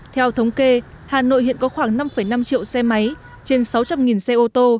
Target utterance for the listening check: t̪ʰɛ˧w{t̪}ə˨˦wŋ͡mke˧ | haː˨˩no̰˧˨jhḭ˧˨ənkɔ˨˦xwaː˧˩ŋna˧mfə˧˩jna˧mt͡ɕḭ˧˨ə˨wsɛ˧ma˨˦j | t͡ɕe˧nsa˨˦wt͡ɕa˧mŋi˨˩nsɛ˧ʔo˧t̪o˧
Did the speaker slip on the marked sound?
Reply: yes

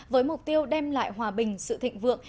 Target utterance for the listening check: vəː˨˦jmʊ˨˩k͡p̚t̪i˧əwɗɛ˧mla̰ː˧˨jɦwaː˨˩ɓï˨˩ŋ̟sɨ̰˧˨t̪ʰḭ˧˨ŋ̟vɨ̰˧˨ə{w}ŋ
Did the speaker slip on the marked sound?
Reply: yes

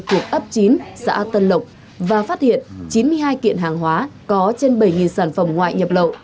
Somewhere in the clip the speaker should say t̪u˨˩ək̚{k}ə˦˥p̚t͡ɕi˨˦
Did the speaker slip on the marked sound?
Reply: yes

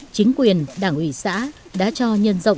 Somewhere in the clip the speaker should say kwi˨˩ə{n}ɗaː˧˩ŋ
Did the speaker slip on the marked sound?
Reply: no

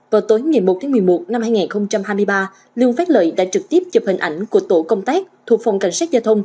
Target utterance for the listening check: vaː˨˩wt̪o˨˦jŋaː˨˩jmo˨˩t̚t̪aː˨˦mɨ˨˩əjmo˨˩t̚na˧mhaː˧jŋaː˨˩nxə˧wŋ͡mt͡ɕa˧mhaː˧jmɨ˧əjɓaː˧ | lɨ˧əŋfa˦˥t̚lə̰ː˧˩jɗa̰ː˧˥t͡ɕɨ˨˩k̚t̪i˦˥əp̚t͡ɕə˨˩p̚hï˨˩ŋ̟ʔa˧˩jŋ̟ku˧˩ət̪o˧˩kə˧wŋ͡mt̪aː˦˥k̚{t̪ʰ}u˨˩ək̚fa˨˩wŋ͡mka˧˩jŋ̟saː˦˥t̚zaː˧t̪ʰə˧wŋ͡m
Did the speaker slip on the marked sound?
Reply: no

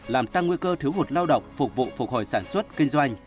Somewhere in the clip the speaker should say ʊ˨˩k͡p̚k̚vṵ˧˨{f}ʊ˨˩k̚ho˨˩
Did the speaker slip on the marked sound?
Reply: no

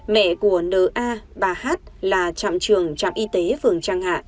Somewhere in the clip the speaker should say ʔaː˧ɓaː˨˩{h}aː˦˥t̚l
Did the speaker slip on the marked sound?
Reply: no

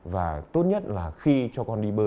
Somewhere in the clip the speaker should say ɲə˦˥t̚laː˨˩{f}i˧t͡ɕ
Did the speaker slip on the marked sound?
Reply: yes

